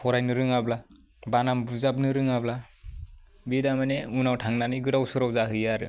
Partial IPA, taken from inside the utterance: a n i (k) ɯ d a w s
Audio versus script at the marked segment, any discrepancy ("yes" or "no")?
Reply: yes